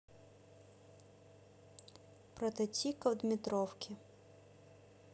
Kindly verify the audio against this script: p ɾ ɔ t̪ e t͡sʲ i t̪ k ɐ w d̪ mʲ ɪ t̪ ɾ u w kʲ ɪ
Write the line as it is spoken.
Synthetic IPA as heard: p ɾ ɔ t̪ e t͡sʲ i k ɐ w d̪ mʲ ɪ t̪ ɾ ɔ w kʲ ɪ